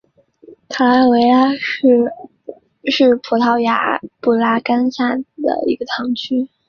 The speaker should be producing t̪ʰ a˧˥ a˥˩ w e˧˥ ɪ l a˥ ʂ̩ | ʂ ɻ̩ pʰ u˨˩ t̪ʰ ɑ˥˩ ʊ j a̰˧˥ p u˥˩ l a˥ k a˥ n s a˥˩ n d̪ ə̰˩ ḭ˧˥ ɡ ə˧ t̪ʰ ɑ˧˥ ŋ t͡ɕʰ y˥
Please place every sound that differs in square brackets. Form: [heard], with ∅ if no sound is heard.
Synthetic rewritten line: t̪ʰ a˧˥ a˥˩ w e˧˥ ɪ l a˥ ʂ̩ | ʂ ɻ̩ pʰ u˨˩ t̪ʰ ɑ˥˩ ʊ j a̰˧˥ p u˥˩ l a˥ k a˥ n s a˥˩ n d̪ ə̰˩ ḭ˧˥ ɡ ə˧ t̪ʰ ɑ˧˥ ŋ t͡ɕʰ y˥